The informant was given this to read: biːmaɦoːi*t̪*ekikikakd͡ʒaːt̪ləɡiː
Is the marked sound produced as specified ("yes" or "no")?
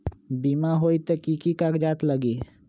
yes